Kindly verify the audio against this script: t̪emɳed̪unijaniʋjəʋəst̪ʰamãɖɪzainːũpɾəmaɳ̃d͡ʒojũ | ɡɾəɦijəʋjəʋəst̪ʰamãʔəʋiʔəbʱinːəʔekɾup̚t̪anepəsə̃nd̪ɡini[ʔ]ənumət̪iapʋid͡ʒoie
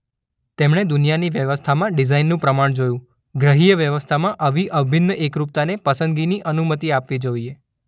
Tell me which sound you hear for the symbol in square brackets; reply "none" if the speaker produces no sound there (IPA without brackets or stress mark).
ʔ